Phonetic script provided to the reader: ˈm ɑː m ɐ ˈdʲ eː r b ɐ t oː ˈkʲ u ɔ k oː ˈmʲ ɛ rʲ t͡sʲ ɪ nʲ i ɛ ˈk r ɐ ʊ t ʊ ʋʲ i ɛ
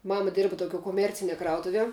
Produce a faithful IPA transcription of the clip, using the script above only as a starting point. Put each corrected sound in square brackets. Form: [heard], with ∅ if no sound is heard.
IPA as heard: ˈm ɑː m ɐ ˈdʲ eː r b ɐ t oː ˈkʲ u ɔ k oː ˈmʲ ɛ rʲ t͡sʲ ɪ nʲ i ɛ ˈk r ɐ ʊ t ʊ ʋʲ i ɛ